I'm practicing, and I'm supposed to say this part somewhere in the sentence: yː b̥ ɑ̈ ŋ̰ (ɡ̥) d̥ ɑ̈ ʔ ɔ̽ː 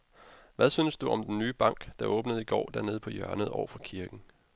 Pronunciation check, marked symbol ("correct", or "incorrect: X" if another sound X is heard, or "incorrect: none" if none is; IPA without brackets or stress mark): correct